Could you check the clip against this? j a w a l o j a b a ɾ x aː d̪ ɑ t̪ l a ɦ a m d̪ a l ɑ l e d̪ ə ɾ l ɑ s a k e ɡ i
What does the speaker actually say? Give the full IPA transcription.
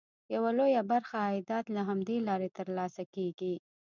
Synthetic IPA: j a w a l o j a b a ɾ x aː d̪ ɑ t̪ l a ɦ a m d̪ e l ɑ ɾ e t̪ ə ɾ l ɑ s a k e ɡ i